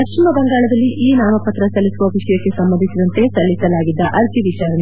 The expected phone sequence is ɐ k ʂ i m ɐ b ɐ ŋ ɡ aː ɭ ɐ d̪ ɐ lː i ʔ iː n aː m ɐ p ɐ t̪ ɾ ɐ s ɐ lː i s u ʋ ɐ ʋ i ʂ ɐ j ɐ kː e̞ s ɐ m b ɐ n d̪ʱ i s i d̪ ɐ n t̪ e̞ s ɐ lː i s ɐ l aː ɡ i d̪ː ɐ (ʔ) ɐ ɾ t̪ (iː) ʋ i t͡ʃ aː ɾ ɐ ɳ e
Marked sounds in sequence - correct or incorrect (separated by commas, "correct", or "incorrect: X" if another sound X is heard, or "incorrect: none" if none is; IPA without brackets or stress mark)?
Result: correct, incorrect: i